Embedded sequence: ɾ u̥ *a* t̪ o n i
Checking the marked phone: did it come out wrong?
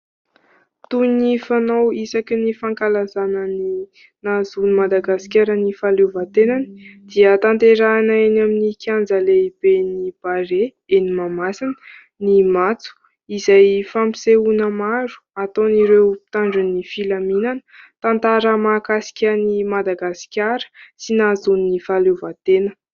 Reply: no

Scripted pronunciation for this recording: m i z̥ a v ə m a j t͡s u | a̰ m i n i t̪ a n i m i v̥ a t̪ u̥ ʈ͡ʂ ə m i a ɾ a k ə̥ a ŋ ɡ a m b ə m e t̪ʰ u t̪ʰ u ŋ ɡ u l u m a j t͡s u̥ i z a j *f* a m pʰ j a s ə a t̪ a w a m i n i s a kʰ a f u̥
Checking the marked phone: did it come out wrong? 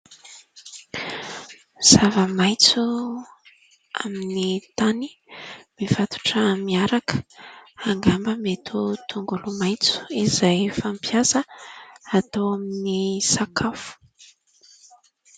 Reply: no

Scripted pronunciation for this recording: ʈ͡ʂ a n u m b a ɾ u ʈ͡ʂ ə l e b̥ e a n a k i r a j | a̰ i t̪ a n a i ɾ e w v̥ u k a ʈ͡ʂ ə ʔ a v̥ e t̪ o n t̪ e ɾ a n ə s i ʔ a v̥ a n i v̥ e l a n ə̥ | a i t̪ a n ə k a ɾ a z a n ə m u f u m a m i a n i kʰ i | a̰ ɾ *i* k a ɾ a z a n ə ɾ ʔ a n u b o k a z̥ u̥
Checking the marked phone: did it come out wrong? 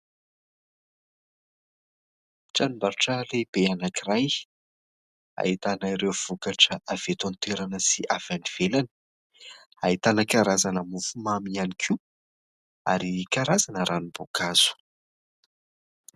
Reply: no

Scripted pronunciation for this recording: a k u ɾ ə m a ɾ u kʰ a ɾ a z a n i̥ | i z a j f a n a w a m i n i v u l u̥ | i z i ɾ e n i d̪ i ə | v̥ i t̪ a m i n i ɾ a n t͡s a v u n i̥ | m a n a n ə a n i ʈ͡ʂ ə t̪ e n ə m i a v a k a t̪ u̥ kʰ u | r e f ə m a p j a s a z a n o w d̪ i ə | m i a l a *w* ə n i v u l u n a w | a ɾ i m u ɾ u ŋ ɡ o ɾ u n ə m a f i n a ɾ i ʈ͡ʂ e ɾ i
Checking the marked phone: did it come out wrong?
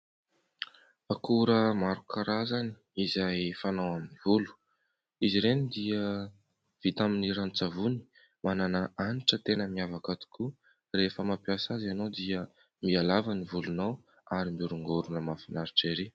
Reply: yes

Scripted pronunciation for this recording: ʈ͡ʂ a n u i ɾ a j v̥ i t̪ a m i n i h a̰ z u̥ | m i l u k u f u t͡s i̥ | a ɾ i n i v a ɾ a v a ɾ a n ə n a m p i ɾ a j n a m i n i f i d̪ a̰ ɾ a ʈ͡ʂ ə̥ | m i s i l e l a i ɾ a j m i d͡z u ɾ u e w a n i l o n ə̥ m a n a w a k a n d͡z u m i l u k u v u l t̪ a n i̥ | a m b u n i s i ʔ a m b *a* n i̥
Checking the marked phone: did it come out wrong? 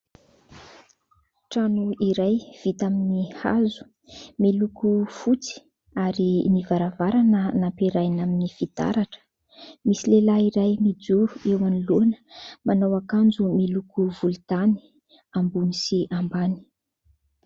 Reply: no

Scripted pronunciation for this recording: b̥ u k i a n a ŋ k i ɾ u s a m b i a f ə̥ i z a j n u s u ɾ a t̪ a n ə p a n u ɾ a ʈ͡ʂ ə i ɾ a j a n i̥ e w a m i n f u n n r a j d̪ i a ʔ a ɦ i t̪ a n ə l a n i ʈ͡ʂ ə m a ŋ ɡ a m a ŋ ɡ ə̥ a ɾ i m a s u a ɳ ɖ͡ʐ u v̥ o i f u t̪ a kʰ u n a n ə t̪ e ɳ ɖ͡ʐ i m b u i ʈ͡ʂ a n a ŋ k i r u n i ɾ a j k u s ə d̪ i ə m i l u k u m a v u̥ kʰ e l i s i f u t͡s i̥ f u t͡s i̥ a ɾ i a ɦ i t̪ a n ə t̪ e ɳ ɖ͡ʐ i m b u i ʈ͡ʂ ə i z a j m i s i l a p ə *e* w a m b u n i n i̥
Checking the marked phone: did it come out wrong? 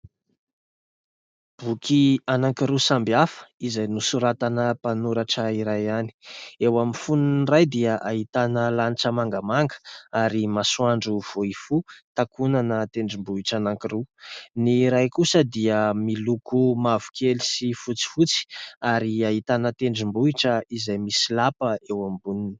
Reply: no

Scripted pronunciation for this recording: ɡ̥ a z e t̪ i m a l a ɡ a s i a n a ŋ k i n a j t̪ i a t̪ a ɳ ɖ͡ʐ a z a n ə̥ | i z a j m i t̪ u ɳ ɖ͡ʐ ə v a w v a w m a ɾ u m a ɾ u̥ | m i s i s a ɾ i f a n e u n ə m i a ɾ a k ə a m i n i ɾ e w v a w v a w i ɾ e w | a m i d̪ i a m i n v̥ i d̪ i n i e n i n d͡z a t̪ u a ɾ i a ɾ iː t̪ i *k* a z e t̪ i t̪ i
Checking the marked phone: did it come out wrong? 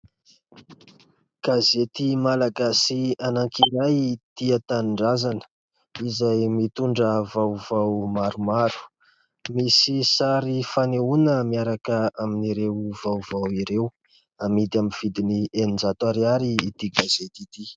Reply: yes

